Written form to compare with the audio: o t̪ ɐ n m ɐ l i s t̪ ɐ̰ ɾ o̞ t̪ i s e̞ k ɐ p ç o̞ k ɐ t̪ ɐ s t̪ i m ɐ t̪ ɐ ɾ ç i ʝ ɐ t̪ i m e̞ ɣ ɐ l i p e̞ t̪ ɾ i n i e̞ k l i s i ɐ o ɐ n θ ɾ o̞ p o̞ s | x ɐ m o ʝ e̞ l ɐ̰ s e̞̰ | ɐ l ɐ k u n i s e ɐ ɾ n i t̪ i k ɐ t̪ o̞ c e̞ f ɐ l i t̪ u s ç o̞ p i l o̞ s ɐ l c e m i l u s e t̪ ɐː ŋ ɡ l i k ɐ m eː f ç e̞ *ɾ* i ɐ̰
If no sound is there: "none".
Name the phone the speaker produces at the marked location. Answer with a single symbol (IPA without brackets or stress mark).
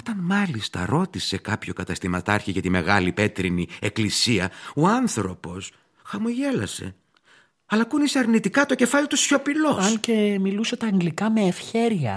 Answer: ɾ